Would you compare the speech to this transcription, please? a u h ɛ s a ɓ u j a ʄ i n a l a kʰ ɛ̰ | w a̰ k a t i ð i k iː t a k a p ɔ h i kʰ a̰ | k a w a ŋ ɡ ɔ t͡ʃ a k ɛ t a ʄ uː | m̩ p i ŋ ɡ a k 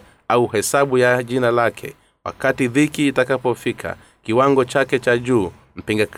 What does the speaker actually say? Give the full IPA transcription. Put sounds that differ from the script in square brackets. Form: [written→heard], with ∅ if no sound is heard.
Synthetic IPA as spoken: a u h ɛ s a ɓ u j a ʄ i n a l a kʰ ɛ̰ | w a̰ k a t i ð i k iː t a k a p ɔ [h→f] i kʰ a̰ | k [a→i] w a ŋ ɡ ɔ t͡ʃ a k ɛ [t→t͡ʃ] a ʄ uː | m̩ p i ŋ ɡ a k